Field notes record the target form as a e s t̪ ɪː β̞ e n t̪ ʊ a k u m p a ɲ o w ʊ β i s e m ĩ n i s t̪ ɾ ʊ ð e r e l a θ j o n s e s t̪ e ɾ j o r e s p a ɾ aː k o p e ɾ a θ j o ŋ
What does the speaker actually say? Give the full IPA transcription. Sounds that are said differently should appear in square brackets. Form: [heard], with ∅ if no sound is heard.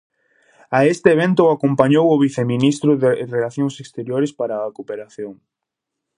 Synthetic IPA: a e s t̪ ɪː β̞ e n t̪ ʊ a k [o] m p a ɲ o w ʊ β i [θ] e m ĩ n i s t̪ ɾ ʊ ð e r e l a θ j o [ŋ] s e s t̪ e ɾ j o [ɾ] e s p a ɾ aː k o p e ɾ a θ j o ŋ